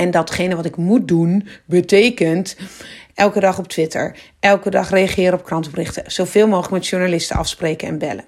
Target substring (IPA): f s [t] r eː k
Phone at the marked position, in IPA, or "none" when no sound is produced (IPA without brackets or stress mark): p